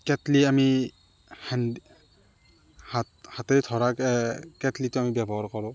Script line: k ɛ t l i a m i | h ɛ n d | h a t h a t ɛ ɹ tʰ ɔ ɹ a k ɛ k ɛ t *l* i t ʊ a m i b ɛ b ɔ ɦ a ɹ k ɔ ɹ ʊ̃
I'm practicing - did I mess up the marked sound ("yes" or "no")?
no